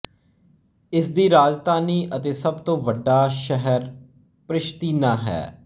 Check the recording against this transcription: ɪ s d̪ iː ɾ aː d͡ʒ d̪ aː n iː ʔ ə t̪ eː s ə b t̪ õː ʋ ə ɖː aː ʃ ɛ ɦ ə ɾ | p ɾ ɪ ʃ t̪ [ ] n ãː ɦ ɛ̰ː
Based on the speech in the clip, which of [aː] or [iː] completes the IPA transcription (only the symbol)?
iː